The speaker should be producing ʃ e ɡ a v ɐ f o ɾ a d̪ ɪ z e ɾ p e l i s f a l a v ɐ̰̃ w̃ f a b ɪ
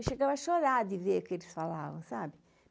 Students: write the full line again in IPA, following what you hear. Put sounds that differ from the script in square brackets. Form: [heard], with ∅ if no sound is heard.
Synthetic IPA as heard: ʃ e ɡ a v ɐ [ʃ] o ɾ a d̪ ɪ [v] e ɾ [k] e l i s f a l a v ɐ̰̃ w̃ [s] a b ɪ